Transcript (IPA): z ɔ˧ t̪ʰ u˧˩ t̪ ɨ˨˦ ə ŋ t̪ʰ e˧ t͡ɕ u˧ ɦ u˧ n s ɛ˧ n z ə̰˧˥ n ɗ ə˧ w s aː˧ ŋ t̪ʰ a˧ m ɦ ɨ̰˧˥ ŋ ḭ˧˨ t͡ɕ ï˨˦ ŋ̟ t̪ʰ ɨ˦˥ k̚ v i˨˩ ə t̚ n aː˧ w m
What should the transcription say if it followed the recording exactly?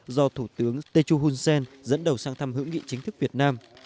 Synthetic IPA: z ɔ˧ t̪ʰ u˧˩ t̪ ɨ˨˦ ə ŋ t̪ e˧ t͡ɕ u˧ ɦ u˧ n s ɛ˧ n z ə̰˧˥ n ɗ ə˨˩ w s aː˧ ŋ t̪ʰ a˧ m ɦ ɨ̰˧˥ ŋ ḭ˧˨ t͡ɕ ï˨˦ ŋ̟ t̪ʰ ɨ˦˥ k̚ v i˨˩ ə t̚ n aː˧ m